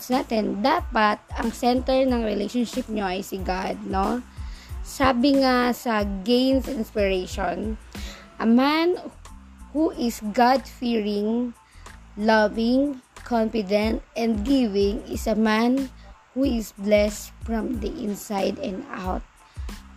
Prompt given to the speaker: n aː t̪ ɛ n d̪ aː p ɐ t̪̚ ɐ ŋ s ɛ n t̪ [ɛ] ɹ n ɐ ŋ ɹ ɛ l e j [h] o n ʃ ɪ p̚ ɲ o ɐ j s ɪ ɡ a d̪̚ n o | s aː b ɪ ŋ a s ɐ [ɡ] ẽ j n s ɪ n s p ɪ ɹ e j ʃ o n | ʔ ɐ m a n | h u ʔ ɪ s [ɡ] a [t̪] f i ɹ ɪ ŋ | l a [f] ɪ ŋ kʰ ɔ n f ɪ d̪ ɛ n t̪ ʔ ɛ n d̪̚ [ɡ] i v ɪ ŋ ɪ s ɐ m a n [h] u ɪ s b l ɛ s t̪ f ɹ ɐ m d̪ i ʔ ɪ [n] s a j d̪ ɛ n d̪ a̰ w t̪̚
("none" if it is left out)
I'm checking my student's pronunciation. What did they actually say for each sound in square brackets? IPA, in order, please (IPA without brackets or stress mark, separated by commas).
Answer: ɛ, ʃ, ɡ, ɡ, d̪, v, ɡ, h, n